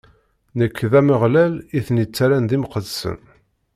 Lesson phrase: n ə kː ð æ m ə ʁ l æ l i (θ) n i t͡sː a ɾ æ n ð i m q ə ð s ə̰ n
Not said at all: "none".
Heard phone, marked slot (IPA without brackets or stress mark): θ